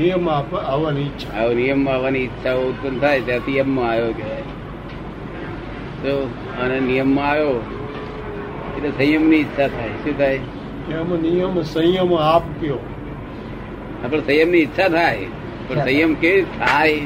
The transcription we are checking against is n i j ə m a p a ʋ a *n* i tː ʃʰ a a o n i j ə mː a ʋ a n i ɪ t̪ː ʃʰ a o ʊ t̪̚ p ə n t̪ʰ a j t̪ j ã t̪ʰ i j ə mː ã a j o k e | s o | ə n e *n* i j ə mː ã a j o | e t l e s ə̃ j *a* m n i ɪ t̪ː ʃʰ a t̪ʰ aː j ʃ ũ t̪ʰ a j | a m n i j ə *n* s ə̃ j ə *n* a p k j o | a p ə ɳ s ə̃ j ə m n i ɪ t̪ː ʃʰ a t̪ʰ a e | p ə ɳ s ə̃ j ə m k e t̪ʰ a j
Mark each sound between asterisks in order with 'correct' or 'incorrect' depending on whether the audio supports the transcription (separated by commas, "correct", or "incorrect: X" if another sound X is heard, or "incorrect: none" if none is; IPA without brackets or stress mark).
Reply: correct, correct, incorrect: ə, incorrect: m, incorrect: m